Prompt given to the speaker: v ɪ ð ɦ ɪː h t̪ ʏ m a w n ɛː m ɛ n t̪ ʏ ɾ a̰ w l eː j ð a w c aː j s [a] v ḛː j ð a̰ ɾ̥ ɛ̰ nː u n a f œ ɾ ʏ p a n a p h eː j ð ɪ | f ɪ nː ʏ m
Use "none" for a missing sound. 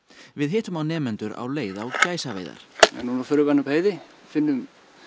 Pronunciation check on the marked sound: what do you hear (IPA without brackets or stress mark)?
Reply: a